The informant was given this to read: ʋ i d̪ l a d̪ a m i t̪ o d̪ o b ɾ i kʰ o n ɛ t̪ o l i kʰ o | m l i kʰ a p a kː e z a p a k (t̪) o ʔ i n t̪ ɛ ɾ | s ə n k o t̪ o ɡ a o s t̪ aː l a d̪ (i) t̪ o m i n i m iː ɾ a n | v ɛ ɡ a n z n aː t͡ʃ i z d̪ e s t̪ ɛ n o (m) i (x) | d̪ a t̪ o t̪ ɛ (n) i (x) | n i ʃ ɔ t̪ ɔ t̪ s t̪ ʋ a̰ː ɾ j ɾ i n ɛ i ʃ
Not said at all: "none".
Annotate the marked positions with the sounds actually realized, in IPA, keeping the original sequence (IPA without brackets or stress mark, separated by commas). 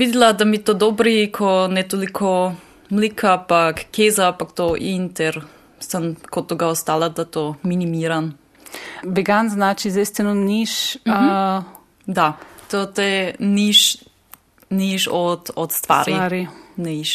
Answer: t̪, a, n, ʃ, n, ʃ